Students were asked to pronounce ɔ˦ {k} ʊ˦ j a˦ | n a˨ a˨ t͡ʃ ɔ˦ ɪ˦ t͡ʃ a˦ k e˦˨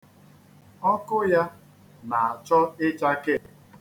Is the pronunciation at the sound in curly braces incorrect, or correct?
correct